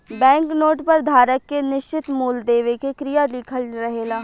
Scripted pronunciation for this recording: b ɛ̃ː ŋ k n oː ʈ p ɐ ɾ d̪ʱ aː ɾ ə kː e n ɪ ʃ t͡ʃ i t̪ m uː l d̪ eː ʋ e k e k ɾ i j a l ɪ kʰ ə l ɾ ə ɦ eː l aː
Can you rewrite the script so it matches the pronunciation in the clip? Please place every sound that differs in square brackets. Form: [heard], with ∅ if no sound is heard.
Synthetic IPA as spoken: b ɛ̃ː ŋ k n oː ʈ p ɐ ɾ d̪ʱ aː ɾ ə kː e n ɪ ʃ t͡ʃ [ɪ] t̪ m uː l d̪ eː ʋ e k e k ɾ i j a l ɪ kʰ ə l ɾ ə ɦ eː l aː